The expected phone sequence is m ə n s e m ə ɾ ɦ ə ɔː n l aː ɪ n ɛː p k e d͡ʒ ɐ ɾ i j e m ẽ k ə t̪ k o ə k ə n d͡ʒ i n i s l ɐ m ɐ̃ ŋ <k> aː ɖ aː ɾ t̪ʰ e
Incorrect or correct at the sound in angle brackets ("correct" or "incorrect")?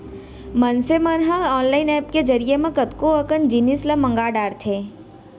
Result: incorrect